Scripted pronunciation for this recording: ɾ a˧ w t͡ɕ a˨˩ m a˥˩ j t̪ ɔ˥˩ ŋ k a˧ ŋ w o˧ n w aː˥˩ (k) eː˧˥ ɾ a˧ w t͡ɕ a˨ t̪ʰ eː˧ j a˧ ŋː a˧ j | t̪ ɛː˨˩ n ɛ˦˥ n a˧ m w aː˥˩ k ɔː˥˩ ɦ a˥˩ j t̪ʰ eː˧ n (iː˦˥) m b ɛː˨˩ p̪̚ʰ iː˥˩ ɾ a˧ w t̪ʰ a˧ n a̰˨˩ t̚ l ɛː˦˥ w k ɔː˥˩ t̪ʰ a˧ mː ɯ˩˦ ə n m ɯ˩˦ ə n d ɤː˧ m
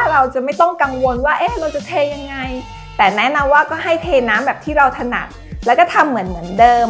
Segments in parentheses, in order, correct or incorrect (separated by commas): incorrect, incorrect